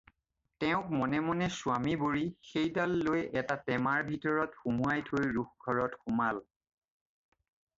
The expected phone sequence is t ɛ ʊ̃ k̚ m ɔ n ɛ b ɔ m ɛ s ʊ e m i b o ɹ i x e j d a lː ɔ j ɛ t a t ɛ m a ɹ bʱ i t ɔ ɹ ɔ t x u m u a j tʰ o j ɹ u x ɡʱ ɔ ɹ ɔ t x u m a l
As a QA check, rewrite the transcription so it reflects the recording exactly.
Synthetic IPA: t ɛ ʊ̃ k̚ m ɔ n ɛ m ɔ n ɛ s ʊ a m i b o ɹ i x e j d a lː o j ɛ t a t ɛ m a ɹ bʱ i t ɔ ɹ ɔ t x u m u a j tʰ o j ɹ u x ɡʱ ɔ ɹ ɔ t x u m a l

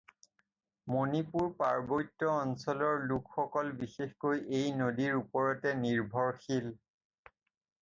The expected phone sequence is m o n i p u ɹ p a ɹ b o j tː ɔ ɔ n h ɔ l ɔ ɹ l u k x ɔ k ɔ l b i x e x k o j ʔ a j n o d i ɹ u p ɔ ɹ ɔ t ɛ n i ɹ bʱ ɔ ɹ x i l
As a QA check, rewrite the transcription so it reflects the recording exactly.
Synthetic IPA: m o n i p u ɹ p a ɹ b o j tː ɔ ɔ n s ɔ l ɔ ɹ l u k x ɔ k ɔ l b i x e x k o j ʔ e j n o d i ɹ u p ɔ ɹ ɔ t ɛ n i ɹ bʱ ɔ ɹ x i l

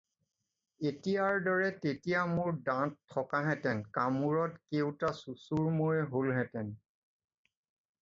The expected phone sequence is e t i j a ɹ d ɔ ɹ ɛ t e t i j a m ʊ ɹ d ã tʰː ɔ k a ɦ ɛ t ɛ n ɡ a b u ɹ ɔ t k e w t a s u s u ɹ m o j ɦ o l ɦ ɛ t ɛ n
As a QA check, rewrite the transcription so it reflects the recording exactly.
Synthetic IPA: e t i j a ɹ d ɔ ɹ ɛ t e t i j a m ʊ ɹ d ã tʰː ɔ k a ɦ ɛ t ɛ n k a m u ɹ ɔ t k e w t a s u s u ɹ m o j ɦ o l ɦ ɛ t ɛ n

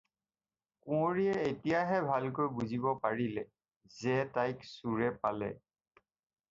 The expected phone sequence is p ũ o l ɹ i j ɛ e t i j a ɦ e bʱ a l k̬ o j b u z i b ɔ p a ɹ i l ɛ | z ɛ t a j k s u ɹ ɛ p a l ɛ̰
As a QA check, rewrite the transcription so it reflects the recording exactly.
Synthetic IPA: k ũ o ɹ i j ɛ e t i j a ɦ ɛ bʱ a l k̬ o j b u z i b ɔ p a ɹ i l ɛ | z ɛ t a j k s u ɹ ɛ p a l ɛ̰

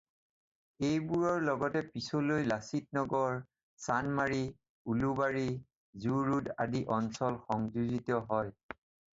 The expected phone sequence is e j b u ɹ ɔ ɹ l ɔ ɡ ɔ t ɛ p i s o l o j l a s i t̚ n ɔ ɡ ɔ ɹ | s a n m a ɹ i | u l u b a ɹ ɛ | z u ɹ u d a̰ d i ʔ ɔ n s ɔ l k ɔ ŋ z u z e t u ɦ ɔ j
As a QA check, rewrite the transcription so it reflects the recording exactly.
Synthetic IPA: e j b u ɹ ɔ ɹ l ɔ ɡ ɔ t ɛ p i s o l o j l a s i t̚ n ɔ ɡ ɔ ɹ | s a n m a ɹ i | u l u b a ɹ i | z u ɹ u d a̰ d i ʔ ɔ n s ɔ l x ɔ ŋ z u z i t ɔ ɦ ɔ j

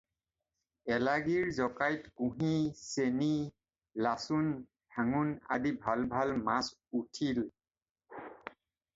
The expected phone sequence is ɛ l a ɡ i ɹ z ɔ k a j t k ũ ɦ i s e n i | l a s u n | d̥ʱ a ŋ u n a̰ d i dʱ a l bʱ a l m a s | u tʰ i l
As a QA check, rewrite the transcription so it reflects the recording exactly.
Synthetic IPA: ɛ l a ɡ i ɹ z ɔ k a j t k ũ ɦ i s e n i | l a s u n | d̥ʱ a ŋ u n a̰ d i bʱ a l bʱ a l m a s | u tʰ i l

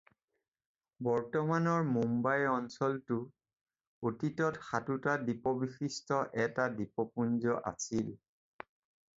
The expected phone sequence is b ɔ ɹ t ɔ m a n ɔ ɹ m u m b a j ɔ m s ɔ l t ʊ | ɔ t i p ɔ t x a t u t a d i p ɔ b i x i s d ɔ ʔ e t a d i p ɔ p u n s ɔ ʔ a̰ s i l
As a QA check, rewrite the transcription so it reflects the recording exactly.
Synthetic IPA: b ɔ ɹ t ɔ m a n ɔ ɹ m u m b a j ɔ n s ɔ l t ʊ | o t i t ɔ t x a t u t a d i p ɔ b i x i s t ɔ ʔ ɛ t a d i p ɔ p u n z ɔ ʔ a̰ s i l

